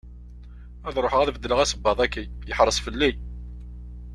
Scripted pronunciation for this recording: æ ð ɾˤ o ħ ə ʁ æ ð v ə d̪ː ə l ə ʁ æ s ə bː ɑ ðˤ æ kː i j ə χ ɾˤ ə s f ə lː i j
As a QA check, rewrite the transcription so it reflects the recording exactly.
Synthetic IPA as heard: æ ð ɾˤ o ħ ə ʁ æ ð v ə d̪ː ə l ə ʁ æ s ə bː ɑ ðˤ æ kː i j ə ħ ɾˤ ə s f ə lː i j